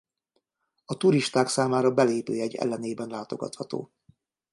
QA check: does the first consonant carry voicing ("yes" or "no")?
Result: no